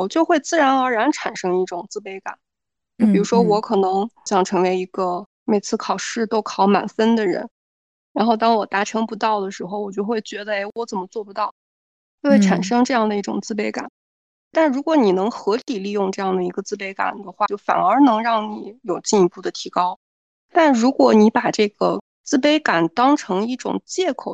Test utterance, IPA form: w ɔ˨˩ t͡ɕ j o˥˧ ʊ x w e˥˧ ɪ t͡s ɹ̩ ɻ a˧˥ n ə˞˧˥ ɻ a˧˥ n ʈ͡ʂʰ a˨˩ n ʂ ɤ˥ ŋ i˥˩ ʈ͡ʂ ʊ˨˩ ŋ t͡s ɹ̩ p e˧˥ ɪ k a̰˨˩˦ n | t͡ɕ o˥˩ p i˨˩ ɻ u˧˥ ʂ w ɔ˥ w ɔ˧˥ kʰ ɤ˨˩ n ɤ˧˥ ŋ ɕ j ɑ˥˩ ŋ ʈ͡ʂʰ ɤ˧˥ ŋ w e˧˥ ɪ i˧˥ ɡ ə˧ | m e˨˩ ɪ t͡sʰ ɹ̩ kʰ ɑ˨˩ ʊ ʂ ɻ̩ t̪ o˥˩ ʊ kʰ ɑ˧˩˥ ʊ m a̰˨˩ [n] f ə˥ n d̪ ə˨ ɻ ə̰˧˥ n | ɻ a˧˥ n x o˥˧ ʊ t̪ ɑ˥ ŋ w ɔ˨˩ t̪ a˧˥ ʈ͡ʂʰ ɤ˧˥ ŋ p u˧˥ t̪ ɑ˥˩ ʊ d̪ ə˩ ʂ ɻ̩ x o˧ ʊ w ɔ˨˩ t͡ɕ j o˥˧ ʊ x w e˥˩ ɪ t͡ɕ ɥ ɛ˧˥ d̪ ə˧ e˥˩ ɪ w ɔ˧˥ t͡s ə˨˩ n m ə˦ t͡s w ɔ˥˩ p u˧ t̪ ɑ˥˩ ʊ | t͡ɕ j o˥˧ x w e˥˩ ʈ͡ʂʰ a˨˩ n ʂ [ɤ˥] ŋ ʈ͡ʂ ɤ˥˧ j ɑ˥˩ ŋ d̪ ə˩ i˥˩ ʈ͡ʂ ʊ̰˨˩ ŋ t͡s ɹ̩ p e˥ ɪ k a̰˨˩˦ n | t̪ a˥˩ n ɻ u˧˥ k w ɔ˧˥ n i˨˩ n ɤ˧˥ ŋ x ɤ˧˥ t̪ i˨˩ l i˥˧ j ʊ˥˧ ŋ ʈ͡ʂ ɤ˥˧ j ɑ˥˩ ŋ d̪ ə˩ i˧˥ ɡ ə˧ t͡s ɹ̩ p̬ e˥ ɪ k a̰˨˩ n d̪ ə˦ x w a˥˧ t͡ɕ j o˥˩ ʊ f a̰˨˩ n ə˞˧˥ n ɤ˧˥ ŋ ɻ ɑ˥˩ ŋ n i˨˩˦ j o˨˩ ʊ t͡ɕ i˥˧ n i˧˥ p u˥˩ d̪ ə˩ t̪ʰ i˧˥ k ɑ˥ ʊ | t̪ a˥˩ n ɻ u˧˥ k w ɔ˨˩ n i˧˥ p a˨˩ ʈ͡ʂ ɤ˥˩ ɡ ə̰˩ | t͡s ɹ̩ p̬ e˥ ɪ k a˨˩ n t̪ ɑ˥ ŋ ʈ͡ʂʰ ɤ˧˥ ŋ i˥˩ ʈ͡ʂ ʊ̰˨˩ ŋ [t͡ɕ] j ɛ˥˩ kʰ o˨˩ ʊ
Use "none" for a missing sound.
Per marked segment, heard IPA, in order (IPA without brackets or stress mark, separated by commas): n, ɤ˥, t͡ɕ